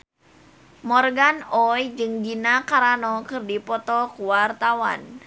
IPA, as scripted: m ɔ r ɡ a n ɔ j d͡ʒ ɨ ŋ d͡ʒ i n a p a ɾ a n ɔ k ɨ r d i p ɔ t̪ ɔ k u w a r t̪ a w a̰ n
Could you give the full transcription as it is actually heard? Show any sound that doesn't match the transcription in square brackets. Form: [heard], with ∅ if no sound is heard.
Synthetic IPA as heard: m ɔ r ɡ a n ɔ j d͡ʒ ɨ ŋ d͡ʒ i n a [k] a ɾ a n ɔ k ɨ r d i p ɔ t̪ ɔ k u w a r t̪ a w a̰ n